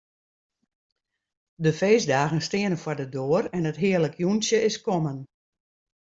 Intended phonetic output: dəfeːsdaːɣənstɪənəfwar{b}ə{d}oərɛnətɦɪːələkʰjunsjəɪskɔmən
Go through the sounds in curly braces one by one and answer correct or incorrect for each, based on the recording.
incorrect: d, correct

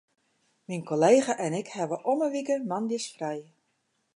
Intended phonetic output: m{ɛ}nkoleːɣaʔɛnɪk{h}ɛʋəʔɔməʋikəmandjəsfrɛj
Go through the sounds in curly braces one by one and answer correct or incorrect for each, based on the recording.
incorrect: i, correct

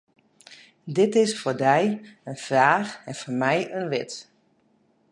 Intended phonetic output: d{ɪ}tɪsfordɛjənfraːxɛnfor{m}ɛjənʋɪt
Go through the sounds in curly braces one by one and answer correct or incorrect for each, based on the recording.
correct, correct

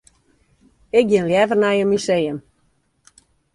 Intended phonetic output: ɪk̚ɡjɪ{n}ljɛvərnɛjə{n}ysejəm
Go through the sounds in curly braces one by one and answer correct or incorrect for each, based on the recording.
correct, incorrect: m

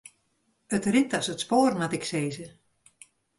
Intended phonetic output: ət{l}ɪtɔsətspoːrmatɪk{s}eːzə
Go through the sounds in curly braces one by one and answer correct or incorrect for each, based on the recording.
incorrect: r, correct

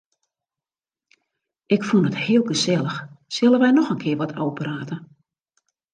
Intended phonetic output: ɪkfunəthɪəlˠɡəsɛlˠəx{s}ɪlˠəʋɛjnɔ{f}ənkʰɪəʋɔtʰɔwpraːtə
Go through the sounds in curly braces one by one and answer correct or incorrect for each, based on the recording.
correct, incorrect: x

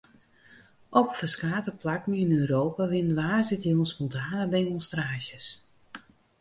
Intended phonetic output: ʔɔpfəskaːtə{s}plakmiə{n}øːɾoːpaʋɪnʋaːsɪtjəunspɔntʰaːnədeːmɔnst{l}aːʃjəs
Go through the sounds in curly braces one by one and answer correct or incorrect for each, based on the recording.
incorrect: none, correct, incorrect: r

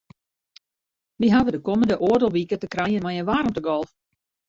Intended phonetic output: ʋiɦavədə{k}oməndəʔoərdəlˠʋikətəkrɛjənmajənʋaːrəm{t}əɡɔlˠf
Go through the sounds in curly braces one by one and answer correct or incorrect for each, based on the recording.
correct, correct

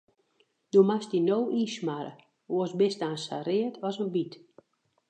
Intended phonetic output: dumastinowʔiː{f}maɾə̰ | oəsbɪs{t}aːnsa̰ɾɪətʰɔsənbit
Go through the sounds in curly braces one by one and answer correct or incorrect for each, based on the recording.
incorrect: s, correct

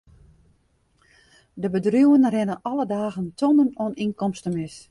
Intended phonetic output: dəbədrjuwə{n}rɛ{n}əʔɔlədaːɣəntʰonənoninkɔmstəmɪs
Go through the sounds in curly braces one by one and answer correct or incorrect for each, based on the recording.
correct, correct

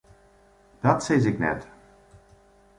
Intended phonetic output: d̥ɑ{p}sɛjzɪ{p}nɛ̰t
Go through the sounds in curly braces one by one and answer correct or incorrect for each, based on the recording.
incorrect: t, incorrect: k

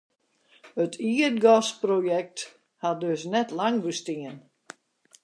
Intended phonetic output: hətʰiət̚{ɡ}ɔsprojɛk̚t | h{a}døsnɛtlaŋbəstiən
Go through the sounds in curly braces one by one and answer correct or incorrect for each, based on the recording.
correct, correct

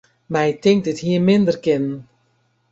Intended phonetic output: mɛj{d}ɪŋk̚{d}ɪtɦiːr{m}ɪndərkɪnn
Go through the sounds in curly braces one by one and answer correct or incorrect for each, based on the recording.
incorrect: t, correct, correct

